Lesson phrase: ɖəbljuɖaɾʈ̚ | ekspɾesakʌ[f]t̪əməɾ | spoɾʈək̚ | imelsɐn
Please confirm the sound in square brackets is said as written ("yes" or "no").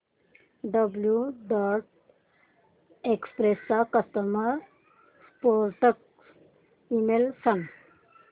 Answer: no